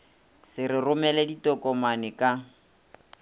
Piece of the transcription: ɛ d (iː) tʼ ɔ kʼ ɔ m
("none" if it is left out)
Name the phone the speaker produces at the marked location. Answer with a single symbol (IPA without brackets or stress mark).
i